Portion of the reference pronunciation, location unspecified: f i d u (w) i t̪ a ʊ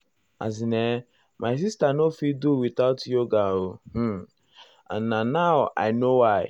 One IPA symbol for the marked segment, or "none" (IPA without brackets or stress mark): w